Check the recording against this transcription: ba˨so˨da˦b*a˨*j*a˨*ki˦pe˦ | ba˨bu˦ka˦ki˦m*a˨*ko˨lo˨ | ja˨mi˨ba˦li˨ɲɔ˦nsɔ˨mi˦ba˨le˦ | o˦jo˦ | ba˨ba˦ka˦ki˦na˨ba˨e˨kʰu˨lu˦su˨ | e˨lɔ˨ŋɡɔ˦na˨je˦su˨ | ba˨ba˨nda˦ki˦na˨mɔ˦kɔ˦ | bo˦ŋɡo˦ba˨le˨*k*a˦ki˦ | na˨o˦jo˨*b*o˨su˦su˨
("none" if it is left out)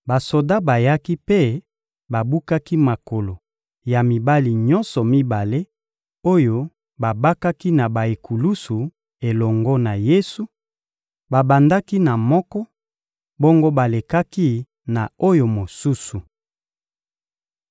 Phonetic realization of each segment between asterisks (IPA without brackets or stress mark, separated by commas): a˨, a˦, a˨, k, m